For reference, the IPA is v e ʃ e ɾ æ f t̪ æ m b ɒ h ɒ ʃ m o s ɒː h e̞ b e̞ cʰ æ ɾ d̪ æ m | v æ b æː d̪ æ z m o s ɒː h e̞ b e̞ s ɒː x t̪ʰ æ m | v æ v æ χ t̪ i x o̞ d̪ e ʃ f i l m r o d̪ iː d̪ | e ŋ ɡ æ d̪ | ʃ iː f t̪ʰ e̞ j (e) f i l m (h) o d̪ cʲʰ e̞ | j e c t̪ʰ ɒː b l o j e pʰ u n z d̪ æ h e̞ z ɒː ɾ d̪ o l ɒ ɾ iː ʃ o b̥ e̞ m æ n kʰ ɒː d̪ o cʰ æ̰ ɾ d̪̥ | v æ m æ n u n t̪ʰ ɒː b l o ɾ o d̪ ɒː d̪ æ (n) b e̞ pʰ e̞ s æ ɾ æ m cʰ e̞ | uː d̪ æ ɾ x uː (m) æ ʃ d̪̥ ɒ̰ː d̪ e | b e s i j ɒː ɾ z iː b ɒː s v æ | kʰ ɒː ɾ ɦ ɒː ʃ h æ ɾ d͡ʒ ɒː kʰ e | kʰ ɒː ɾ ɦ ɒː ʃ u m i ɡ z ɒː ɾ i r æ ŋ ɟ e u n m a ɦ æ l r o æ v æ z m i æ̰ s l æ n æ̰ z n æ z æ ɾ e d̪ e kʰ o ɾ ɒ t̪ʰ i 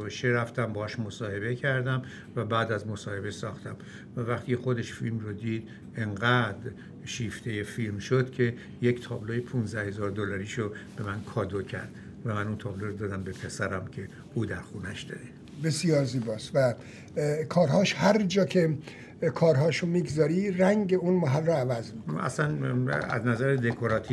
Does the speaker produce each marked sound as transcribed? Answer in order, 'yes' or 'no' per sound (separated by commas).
yes, no, no, no